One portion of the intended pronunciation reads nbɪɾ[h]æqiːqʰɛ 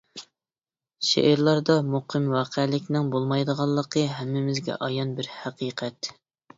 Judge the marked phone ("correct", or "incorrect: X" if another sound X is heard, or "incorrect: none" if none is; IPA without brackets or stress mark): correct